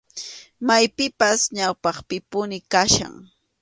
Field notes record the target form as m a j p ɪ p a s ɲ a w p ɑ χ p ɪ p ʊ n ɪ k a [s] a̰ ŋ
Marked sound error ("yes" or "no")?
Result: yes